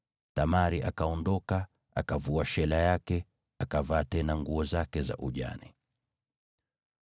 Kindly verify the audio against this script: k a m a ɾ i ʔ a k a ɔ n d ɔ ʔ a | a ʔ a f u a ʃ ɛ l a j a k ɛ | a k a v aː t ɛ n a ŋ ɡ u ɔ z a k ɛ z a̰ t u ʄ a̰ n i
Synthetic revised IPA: t a m a ɾ i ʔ a k a ɔ n d ɔ k a | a k a v u a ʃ ɛ l a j a k ɛ | a k a v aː t ɛ n a ŋ ɡ u ɔ z a k ɛ z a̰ ʔ u ʄ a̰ n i